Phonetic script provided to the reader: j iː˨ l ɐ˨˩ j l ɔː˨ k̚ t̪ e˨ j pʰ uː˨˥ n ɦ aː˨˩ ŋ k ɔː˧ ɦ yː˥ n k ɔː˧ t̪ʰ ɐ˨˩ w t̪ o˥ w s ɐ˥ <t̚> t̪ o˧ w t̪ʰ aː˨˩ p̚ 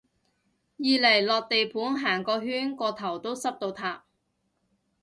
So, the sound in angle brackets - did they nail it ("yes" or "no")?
no